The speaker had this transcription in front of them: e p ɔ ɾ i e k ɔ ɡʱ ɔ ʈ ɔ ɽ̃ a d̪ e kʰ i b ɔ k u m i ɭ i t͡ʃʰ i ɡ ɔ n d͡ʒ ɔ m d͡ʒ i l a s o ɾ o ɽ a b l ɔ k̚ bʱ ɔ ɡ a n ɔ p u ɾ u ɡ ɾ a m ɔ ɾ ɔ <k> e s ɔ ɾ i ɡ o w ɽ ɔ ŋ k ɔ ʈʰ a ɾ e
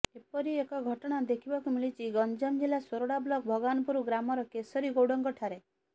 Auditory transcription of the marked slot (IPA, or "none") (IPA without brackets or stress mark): k